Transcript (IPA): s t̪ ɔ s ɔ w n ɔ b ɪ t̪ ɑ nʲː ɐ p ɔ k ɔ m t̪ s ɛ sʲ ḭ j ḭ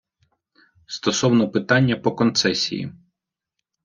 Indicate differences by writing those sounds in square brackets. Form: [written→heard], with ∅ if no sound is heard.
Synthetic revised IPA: s t̪ ɔ s ɔ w n ɔ [b→p] ɪ t̪ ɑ nʲː ɐ p ɔ k ɔ [m→n] t̪ s ɛ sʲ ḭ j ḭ